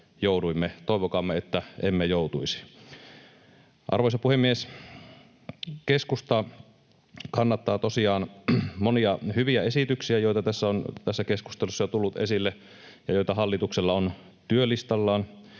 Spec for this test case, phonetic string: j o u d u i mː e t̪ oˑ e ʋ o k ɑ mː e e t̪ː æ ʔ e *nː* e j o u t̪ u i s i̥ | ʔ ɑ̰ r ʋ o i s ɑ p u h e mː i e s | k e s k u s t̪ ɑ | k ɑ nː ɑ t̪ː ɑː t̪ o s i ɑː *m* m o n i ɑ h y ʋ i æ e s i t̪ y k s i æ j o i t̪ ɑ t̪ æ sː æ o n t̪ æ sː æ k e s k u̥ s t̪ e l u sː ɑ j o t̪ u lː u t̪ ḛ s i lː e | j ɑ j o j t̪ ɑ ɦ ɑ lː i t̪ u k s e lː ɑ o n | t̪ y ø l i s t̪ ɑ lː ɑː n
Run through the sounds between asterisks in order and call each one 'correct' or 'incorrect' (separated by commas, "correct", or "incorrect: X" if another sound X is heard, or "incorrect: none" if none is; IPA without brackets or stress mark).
incorrect: mː, incorrect: n